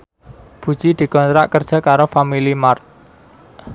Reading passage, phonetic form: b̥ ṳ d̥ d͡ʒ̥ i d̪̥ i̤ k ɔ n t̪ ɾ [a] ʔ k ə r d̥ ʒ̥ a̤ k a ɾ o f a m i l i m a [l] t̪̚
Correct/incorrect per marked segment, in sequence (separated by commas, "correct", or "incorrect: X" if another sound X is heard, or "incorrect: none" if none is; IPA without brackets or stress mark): correct, incorrect: r